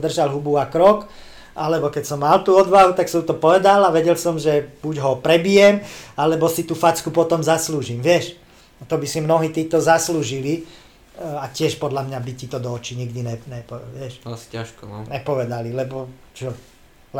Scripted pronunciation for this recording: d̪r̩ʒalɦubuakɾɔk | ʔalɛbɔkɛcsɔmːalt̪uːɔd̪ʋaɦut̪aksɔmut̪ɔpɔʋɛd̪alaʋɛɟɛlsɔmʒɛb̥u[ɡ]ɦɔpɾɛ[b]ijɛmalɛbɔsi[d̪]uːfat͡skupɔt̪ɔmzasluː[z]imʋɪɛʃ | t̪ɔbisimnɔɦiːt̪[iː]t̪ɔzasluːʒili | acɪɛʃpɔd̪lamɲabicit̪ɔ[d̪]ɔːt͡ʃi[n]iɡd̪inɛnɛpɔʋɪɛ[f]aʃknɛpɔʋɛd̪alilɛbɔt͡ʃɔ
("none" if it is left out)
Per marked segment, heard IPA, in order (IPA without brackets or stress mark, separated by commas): ɟ, b, t̪, ʒ, iː, d̪, ɲ, ʃ